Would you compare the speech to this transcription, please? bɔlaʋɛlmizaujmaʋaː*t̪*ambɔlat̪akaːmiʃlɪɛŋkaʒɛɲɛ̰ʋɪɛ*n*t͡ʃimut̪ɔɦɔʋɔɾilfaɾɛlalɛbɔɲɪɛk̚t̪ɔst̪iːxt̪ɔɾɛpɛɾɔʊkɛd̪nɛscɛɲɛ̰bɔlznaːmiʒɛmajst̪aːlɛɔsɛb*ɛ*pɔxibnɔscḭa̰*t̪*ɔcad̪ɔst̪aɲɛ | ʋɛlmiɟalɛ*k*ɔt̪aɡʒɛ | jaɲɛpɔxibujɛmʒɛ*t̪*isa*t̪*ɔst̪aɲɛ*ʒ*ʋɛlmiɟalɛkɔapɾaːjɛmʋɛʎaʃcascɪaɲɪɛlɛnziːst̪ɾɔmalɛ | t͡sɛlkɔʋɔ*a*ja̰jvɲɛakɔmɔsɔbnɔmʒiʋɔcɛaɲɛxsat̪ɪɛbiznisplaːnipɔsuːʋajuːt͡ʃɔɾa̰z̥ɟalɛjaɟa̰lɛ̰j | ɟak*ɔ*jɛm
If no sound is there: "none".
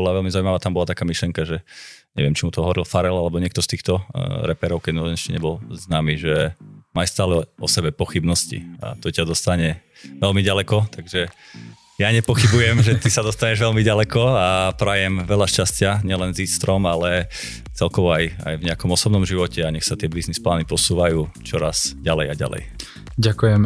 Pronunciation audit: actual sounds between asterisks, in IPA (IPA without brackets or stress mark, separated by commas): t̪, m, ɛ, t̪, k, t̪, d̪, ʒ, a, u